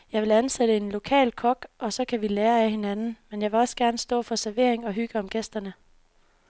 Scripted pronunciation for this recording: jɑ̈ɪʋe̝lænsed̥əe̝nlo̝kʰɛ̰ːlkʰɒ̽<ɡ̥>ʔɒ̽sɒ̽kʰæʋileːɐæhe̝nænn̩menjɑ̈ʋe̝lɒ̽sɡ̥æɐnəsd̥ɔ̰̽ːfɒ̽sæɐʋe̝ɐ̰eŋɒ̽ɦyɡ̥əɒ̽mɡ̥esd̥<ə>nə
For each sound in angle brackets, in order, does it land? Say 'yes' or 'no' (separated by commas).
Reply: yes, no